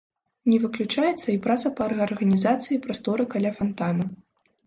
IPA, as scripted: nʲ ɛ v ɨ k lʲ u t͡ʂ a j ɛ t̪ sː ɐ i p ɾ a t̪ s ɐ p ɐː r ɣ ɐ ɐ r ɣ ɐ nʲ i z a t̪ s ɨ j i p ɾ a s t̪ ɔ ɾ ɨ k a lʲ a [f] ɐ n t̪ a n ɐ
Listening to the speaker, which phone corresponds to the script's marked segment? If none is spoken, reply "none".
f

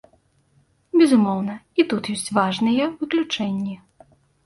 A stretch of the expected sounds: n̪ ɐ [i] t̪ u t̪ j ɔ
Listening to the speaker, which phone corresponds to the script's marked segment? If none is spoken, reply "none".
i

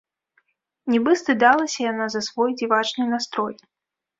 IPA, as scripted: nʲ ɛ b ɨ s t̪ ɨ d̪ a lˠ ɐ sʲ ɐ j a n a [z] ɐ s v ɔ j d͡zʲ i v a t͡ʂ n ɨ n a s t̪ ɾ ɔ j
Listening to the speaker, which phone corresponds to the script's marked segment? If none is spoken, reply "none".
z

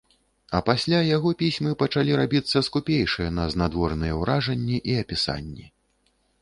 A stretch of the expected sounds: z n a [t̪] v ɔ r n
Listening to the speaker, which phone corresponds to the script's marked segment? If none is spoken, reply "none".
d̪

